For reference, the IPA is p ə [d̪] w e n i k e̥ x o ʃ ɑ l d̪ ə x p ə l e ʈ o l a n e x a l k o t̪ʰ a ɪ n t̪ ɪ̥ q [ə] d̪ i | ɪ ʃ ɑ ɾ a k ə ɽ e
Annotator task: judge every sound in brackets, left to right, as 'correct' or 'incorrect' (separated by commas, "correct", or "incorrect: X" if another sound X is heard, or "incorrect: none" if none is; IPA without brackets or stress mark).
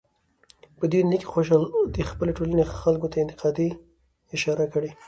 correct, incorrect: ɑ